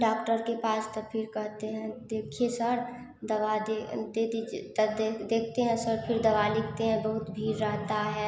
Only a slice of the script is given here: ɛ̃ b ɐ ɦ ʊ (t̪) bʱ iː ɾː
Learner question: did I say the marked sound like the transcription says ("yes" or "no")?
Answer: yes